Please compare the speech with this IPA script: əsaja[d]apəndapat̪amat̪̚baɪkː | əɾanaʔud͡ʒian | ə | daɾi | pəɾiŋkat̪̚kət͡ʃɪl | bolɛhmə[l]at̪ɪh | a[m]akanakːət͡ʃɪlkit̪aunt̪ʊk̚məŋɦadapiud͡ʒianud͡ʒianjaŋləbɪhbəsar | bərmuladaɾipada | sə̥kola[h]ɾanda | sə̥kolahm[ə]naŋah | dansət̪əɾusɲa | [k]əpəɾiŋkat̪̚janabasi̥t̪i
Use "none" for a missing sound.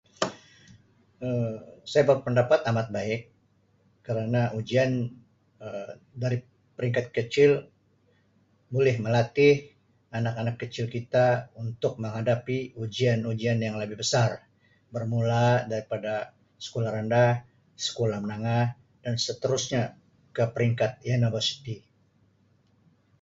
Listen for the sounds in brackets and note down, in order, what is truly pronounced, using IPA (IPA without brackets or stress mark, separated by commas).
b, l, n, h, ə, k